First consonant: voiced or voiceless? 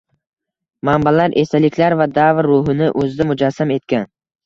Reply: voiced